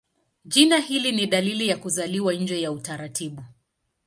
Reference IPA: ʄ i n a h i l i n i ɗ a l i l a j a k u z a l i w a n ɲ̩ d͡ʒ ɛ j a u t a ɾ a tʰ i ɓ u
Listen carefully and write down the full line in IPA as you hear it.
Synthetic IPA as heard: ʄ i n a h i l i n i ɗ a l i l i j a k u z a l i w a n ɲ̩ d͡ʒ ɛ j a u t a ɾ a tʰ i ɓ u